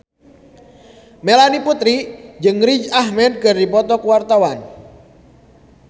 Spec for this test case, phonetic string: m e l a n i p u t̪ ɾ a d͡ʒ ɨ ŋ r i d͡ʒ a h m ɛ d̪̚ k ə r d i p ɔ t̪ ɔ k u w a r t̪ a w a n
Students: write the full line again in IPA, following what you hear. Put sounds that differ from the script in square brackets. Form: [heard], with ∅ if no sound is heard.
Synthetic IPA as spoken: m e l a n i p u t̪ ɾ [i] d͡ʒ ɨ ŋ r i d͡ʒ a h m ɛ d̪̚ k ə r d i p ɔ t̪ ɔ k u w a r t̪ a w a n

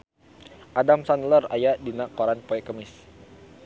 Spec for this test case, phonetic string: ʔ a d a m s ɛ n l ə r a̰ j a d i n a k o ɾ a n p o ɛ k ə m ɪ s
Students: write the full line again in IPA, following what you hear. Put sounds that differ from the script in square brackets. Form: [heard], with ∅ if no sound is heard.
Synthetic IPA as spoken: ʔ a d a m s [a] n l ə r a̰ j a d i n a k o ɾ a n p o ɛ k ə m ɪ s

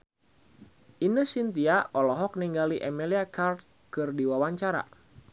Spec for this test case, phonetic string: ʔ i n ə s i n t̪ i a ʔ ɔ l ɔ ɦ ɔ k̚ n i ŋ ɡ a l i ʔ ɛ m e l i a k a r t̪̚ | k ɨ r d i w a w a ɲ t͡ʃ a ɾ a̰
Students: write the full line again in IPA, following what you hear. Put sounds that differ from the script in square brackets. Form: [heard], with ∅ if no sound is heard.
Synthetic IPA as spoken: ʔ i n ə s i n t̪ i a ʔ ɔ l ɔ ɦ ɔ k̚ n i ŋ ɡ a l i ʔ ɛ m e l i a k a r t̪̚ | k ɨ r d i w a w a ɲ t͡ʃ a ɾ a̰

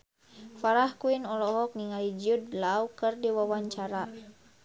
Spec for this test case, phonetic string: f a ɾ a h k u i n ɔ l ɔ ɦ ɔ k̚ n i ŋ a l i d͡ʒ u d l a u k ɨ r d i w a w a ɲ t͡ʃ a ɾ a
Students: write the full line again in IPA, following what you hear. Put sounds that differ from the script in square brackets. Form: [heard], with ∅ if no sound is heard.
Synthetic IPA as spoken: f a ɾ a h k u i n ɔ l ɔ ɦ ɔ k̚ n i ŋ a l i d͡ʒ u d l a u k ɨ r d i w a w a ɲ t͡ʃ a ɾ a

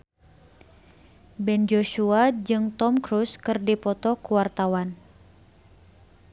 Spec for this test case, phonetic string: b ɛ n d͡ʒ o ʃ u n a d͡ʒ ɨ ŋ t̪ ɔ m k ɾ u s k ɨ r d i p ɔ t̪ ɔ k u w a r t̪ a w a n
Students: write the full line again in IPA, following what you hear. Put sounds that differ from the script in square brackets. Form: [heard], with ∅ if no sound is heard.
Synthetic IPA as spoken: b ɛ n d͡ʒ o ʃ u [∅] a d͡ʒ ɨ ŋ t̪ ɔ m k ɾ u s k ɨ r d i p ɔ t̪ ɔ k u w a r t̪ a w a n

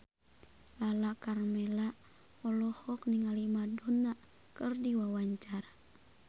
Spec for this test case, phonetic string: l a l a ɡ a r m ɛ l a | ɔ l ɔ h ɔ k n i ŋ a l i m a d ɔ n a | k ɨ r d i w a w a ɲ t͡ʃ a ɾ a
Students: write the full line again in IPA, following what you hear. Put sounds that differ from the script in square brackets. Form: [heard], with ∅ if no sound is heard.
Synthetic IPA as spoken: l a l a [k] a r m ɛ l a | ɔ l ɔ h ɔ k n i ŋ a l i m a d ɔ n a | k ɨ r d i w a w a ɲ t͡ʃ a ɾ a

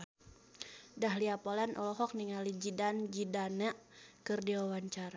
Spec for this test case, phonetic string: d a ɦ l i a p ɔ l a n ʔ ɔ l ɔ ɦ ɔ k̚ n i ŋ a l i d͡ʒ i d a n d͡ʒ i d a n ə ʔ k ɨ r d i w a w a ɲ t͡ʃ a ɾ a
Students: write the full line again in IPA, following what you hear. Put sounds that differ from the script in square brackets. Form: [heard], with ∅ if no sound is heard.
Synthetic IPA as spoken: d a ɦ l i a p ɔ l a n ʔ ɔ l ɔ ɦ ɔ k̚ n i ŋ a l i d͡ʒ i d a n d͡ʒ i d a n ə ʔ k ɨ r d i w a w a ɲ t͡ʃ a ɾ a

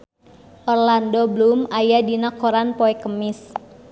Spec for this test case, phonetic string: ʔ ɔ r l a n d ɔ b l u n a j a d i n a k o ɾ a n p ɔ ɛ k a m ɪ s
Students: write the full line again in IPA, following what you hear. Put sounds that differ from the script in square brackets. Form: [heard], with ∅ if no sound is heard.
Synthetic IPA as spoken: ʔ ɔ r l a n d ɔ b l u [m] a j a d i n a k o ɾ a n p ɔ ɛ k [ə] m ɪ s

